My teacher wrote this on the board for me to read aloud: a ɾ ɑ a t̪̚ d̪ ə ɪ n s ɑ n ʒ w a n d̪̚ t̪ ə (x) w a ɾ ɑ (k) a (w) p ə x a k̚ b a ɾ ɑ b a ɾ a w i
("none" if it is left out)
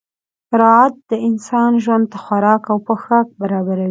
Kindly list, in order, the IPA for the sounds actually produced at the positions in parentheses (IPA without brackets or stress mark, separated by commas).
x, k, w